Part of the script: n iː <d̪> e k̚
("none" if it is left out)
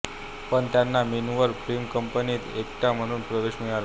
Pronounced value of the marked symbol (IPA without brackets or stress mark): t̪